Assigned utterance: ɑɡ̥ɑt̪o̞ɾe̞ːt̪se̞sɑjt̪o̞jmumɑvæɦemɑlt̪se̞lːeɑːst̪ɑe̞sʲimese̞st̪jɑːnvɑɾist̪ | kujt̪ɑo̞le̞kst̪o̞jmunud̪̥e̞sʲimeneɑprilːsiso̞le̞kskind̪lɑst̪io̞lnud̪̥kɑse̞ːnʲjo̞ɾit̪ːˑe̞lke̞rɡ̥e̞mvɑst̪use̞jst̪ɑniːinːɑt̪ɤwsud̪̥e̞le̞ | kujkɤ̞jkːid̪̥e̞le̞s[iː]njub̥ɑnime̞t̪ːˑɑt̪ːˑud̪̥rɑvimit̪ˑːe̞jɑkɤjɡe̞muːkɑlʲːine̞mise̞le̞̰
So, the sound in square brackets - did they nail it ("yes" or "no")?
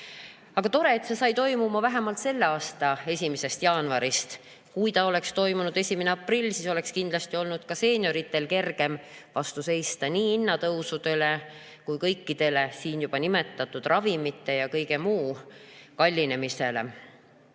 yes